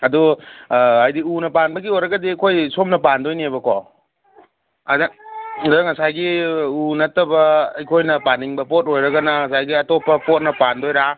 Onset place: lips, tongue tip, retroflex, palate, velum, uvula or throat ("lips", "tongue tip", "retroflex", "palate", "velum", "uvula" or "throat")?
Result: tongue tip